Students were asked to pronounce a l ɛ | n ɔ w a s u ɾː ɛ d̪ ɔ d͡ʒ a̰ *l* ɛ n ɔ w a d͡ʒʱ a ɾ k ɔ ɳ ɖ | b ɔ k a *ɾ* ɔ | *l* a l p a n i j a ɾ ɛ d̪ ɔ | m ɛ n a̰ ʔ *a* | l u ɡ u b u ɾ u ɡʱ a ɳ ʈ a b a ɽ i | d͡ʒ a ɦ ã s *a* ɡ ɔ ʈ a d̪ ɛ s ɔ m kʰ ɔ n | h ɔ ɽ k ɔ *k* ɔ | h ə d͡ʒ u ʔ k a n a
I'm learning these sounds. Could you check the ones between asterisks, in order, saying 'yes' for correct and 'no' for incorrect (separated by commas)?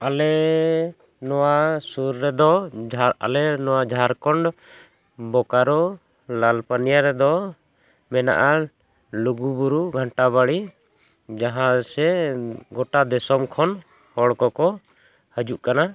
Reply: yes, yes, yes, yes, no, yes